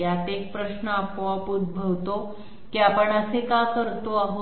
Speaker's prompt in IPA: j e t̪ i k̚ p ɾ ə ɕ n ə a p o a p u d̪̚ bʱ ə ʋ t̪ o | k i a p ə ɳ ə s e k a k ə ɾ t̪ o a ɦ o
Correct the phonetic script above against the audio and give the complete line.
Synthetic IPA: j a t̪ e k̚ p ɾ ə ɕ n ə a p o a p u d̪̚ bʱ ə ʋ t̪ o | k i a p ə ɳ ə s e k a k ə ɾ t̪ o a ɦ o

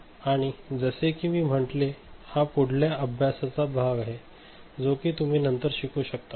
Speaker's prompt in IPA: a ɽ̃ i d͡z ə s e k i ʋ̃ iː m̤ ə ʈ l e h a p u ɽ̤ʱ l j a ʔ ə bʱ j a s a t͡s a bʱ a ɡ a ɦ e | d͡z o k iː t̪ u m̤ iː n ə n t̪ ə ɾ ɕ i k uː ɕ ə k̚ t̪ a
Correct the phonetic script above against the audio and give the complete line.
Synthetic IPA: a ɽ̃ i d͡z ə s e k i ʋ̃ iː m̤ ə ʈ l e h a p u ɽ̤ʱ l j a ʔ ə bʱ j a s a t͡s a bʱ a ɡ a ɦ e | d͡z o k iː t̪ u m̤ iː n ə n t̪ ə ɾ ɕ i k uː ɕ ə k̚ t̪ a

